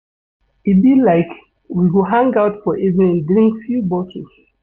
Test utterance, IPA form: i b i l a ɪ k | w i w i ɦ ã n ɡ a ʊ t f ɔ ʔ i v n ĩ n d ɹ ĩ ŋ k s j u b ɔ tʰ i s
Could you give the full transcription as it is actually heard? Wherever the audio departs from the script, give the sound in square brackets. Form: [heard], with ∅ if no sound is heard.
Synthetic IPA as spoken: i b i l a ɪ k | w i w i ɦ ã [ŋ] ɡ a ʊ t f ɔ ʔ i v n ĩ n d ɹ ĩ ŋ k [f] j u b ɔ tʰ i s